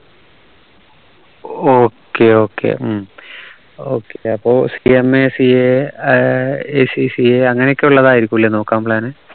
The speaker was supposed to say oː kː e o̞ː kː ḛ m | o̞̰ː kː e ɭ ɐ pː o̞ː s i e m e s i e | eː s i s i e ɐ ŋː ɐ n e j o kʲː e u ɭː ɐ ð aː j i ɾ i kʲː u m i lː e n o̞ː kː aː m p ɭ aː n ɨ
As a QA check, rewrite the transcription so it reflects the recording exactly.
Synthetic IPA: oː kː e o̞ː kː ḛ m | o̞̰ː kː e ɐ pː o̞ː s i e m e s i e | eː s i s i e ɐ ŋː ɐ n e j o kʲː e u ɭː ɐ ð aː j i ɾ i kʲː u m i lː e n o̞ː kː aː m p ɭ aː n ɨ